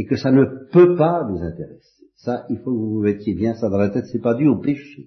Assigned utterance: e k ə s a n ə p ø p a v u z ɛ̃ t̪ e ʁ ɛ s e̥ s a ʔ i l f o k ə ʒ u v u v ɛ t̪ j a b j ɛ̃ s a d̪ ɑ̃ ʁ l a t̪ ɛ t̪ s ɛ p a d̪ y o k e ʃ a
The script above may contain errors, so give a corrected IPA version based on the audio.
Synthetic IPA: e k ə s a n ə p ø p a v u z ɛ̃ t̪ e ʁ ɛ s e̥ s a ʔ i l f o k ə v u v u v ɛ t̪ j e b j ɛ̃ s a d̪ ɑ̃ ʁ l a t̪ ɛ t̪ s ɛ p a d̪ y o p e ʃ e